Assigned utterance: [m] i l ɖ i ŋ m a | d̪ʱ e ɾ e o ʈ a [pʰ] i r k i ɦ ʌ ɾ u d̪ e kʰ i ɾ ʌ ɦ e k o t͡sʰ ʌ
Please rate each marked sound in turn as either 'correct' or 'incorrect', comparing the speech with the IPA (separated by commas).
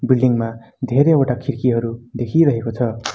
incorrect, incorrect